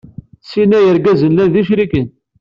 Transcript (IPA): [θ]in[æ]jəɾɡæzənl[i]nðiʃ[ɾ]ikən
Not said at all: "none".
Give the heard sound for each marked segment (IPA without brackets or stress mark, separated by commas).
s, æ, æ, ɾ